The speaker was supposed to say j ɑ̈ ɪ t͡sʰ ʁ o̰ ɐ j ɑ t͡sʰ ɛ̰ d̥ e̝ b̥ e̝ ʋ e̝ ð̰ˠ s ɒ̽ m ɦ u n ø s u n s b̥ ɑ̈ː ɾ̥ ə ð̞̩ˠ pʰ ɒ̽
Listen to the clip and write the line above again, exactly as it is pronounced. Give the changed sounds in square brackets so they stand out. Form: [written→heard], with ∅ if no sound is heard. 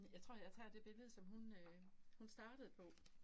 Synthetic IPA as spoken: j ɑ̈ ɪ t͡sʰ ʁ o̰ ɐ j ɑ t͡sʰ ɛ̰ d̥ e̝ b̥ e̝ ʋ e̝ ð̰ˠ s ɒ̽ m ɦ u n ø [s→h] u n s [b̥→d̥] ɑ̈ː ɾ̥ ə ð̞̩ˠ pʰ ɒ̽

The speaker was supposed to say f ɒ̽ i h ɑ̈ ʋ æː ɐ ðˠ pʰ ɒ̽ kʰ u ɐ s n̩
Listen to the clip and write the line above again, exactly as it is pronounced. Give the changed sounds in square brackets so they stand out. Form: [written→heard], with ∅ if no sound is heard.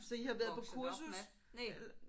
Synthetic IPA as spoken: [f→s] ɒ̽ i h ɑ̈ ʋ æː ɐ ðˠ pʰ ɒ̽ kʰ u ɐ s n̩

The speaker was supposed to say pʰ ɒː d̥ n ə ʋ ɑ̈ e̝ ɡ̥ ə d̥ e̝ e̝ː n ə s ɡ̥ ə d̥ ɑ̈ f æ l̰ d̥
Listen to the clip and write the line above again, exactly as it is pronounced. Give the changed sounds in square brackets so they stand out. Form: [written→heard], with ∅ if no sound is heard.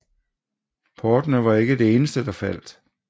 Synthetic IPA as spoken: pʰ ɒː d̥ n ə ʋ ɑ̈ e̝ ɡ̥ ə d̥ e̝ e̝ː n ə s [ɡ̥→d̥] ə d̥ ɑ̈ f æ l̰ d̥

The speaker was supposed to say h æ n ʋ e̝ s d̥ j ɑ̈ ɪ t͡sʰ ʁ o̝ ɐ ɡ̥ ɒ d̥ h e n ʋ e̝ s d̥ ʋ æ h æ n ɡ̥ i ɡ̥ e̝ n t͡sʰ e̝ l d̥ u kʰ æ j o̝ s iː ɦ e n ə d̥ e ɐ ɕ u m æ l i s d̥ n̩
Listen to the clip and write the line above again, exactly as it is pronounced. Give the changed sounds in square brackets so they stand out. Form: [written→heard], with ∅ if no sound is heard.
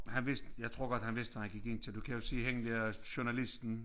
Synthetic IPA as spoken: h æ n ʋ e̝ s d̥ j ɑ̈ ɪ t͡sʰ ʁ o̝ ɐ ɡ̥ ɒ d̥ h [e→æ] n ʋ e̝ s d̥ ʋ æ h æ n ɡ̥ i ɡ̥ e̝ n t͡sʰ e̝ l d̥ u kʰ æ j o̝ s iː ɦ e [n→ŋ] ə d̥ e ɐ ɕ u [m→n] æ l i s d̥ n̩

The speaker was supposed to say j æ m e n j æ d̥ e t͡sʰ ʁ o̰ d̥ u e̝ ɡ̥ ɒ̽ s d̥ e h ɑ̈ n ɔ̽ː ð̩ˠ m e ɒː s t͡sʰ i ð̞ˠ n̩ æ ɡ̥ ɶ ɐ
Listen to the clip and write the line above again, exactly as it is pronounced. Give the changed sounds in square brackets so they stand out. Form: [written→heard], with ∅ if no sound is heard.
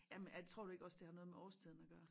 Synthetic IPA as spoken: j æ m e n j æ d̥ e t͡sʰ ʁ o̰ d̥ u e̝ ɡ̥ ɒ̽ s d̥ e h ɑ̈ n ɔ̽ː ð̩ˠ m e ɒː s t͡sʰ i ð̞ˠ n̩ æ ɡ̥ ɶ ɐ

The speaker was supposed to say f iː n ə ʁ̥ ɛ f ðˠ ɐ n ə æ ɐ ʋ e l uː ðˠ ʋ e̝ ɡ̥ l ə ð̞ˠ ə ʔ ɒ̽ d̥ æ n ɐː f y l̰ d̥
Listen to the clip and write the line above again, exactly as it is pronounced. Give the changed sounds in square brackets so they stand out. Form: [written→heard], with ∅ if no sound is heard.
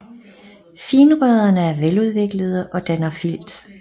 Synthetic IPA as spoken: f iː n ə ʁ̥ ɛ [f→∅] ðˠ ɐ n ə æ ɐ ʋ e l [uː→u] ðˠ ʋ e̝ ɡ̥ l ə ð̞ˠ ə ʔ ɒ̽ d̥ æ n [ɐː→ɐ] f [y→i] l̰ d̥

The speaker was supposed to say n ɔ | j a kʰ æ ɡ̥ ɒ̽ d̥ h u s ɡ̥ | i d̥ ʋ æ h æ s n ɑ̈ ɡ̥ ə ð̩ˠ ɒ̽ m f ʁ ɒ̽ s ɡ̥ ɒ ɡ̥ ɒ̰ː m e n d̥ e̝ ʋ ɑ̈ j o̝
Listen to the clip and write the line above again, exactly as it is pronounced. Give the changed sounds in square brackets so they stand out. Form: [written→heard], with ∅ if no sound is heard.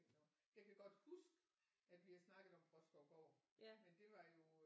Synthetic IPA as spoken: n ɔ | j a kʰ æ ɡ̥ ɒ̽ d̥ h u s ɡ̥ | [i→æ] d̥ ʋ [æ→i] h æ s n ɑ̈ ɡ̥ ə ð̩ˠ ɒ̽ m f ʁ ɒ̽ s ɡ̥ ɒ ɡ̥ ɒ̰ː m e n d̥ e̝ ʋ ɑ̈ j o̝

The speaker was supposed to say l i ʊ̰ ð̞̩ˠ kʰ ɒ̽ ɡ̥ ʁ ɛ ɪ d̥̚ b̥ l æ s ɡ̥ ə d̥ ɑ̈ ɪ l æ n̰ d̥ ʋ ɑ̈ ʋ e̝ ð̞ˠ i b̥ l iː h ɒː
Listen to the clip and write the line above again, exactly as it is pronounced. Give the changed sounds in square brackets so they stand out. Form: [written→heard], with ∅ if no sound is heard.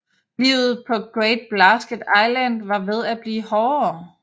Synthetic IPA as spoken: l i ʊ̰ ð̞̩ˠ [kʰ→pʰ] ɒ̽ ɡ̥ ʁ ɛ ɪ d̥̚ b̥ l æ s ɡ̥ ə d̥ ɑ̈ ɪ l æ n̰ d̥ ʋ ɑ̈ ʋ e̝ ð̞ˠ [i→æ] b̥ l iː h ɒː

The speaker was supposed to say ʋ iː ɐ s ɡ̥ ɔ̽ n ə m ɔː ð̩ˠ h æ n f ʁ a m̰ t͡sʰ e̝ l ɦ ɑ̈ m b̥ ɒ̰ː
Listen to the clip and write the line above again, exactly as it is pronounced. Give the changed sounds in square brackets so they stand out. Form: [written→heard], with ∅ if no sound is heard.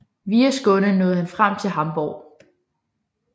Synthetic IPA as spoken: ʋ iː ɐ s ɡ̥ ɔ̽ n ə [m→n] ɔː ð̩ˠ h æ n f ʁ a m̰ t͡sʰ e̝ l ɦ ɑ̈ m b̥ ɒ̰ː

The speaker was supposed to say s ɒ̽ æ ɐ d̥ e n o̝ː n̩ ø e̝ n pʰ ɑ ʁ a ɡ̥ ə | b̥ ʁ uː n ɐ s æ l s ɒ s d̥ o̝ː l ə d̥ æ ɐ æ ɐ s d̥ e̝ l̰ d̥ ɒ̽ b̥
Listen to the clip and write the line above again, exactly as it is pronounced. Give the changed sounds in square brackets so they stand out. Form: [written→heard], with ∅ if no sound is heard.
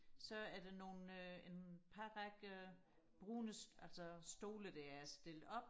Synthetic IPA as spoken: s ɒ̽ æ ɐ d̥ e n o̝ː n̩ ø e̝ n pʰ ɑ ʁ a ɡ̥ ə | b̥ ʁ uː n [ɐ→ə] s æ l s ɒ s d̥ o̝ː l ə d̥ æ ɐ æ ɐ s d̥ e̝ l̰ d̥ ɒ̽ b̥

